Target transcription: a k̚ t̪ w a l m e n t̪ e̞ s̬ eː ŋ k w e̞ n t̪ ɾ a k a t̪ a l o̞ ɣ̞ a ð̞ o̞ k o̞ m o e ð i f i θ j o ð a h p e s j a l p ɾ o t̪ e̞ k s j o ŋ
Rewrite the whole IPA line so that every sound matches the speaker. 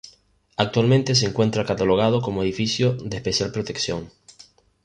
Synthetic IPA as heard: a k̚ t̪ w a l m e n t̪ e̞ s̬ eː ŋ k w e̞ n t̪ ɾ a k a t̪ a l o̞ ɣ̞ a ð̞ o̞ k o̞ m o e ð i f i s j o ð e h p e s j a l p ɾ o t̪ e̞ k s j o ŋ